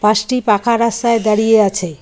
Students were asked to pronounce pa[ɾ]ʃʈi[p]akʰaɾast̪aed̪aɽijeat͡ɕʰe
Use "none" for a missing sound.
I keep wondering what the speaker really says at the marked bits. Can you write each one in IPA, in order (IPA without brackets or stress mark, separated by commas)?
none, p